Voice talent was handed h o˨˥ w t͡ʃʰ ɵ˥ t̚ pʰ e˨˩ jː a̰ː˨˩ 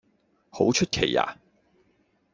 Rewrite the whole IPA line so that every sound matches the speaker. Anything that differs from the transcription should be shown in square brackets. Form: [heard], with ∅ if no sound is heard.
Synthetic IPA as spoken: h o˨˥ w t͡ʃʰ ɵ˥ t̚ [kʰ] e˨˩ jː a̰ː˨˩